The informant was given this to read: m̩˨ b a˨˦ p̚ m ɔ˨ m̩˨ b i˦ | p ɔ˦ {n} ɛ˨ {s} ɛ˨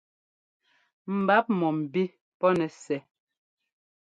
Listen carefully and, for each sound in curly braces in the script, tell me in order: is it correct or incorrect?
correct, correct

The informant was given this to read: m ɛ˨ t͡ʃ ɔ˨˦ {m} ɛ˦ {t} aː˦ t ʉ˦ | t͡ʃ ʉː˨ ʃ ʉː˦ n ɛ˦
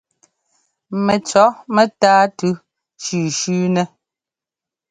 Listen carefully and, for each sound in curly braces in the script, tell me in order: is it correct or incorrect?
correct, correct

